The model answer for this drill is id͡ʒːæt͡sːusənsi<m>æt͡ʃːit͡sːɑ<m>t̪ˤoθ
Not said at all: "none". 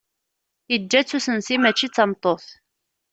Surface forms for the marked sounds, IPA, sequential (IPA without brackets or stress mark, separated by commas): m, m